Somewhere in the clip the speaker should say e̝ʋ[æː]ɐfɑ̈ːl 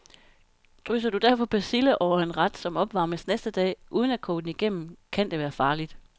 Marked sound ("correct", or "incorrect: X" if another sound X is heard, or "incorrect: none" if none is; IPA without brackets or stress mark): correct